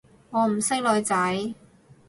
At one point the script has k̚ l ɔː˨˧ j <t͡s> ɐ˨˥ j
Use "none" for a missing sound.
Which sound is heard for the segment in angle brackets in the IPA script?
t͡s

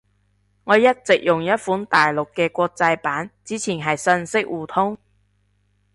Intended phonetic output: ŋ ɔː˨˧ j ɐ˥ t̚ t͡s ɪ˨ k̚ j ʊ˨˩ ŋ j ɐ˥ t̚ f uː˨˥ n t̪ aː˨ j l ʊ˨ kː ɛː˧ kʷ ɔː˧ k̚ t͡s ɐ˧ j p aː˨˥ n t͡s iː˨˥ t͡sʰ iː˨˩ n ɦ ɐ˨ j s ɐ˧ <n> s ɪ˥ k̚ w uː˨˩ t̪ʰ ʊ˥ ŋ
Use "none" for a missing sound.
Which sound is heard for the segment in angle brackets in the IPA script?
n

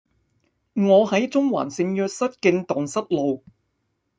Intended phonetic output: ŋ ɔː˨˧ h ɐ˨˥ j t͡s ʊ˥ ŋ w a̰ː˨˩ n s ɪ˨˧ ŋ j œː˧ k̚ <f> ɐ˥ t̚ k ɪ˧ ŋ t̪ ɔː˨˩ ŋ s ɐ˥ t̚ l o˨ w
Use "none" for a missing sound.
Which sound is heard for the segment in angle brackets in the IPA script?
s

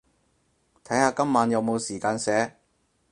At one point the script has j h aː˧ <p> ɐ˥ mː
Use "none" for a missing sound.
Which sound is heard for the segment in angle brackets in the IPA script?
k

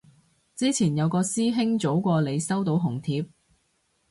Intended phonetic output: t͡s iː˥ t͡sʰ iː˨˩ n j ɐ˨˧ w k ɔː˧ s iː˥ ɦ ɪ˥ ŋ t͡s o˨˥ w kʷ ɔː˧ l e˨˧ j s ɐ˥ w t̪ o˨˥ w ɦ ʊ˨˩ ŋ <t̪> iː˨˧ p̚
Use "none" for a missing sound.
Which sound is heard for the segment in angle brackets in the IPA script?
t̪ʰ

